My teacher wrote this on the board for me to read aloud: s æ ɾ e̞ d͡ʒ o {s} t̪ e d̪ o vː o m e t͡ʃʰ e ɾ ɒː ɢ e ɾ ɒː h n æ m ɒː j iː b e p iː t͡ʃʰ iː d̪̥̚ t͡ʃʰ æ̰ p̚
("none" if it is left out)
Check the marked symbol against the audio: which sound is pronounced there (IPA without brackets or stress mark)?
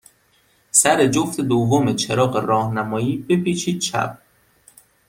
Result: f